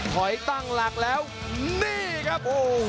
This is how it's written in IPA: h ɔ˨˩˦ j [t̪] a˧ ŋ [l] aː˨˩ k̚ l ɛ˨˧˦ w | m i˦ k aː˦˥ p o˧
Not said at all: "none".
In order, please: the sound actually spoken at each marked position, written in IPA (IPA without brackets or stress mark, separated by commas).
t̪, l